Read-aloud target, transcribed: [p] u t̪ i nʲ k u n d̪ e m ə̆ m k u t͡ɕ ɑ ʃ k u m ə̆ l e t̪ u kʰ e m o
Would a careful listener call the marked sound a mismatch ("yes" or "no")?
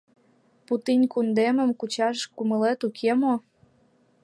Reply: no